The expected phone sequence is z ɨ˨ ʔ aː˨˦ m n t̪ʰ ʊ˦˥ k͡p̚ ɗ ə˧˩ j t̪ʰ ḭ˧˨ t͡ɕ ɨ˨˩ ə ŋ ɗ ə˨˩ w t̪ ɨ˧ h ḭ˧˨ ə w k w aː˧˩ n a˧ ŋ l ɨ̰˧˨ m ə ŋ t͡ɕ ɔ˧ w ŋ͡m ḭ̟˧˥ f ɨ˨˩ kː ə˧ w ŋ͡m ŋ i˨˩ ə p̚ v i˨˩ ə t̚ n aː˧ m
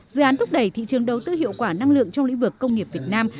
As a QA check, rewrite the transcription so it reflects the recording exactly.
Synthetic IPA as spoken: z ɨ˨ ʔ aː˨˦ n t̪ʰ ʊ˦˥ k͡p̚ ɗ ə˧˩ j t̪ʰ ḭ˧˨ t͡ɕ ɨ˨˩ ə ŋ ɗ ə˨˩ w t̪ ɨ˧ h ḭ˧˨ ə w k w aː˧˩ n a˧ ŋ l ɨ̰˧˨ ə ŋ t͡ɕ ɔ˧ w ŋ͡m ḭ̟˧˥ v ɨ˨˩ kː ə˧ w ŋ͡m ŋ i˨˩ ə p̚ v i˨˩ ə t̚ n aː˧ m